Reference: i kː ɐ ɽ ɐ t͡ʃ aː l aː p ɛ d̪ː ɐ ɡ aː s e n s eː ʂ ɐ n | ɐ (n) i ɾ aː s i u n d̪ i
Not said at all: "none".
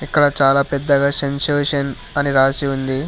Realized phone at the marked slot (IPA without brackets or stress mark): n